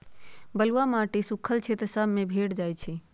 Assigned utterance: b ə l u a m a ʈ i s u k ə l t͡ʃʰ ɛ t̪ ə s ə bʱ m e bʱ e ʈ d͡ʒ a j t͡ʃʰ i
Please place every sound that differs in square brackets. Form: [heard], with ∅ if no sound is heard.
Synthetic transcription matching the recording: b ə l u a m a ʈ i s u [kʰ] ə l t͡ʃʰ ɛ t̪ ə s ə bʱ m e bʱ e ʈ d͡ʒ a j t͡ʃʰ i